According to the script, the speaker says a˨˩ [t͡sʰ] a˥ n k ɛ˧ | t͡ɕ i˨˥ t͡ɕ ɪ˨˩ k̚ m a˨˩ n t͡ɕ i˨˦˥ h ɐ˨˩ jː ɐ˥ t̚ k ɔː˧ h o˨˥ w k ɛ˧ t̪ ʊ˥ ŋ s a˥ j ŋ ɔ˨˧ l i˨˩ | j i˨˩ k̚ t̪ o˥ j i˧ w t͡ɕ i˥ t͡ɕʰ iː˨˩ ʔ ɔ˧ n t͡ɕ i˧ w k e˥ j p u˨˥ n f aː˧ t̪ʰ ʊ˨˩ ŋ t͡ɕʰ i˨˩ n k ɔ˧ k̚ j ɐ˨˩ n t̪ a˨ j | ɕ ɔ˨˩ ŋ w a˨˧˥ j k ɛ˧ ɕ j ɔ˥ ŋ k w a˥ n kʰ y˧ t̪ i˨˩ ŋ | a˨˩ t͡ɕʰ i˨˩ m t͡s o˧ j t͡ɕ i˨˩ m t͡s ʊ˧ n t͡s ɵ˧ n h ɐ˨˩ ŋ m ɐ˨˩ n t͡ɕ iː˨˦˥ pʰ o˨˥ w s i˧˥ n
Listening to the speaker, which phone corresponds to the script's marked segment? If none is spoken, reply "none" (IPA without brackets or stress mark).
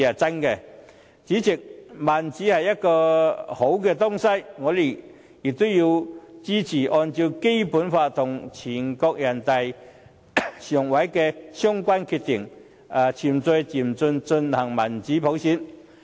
t͡s